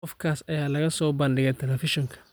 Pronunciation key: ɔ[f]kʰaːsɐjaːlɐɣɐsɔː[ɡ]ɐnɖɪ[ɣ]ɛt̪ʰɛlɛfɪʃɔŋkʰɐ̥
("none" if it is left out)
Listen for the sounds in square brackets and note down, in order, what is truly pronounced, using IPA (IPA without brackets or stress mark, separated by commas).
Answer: f, b, ɣ